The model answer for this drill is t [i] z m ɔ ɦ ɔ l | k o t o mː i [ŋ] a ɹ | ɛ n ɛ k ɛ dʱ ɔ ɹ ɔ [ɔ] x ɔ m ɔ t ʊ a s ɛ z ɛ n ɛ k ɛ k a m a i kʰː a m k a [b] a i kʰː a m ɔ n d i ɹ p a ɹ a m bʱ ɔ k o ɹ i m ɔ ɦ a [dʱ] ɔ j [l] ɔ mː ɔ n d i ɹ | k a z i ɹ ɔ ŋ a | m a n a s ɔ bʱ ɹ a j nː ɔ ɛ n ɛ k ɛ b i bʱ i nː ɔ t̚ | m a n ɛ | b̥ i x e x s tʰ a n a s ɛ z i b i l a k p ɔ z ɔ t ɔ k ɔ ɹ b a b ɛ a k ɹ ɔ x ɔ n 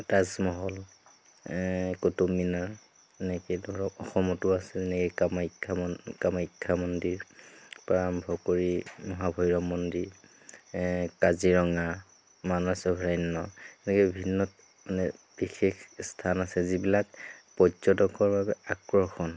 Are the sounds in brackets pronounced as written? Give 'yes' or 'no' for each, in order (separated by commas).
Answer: no, no, yes, no, no, no